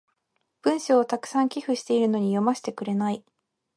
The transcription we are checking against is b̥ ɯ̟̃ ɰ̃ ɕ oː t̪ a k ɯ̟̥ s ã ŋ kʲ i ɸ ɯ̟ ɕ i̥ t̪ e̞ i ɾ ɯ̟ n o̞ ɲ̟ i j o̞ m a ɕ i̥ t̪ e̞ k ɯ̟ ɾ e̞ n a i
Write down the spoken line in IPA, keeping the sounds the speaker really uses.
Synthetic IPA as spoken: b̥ ɯ̟̃ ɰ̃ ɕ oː t̪ a k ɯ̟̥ s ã ŋ kʲ i ɸ ɯ̟ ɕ i̥ t̪ e̞ i ɾ ɯ̟ n o̞ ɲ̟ i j o̞ m a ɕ i̥ t̪ e̞ k ɯ̟ ɾ e̞ n a i